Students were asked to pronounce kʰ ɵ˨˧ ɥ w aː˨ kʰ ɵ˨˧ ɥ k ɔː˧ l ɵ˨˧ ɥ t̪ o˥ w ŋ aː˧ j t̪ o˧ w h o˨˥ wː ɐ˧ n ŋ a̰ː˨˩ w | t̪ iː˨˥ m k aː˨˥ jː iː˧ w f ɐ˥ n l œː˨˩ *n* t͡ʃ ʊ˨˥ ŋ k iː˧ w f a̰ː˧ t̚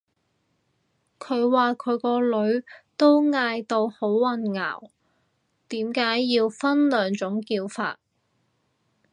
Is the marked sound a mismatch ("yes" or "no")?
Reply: yes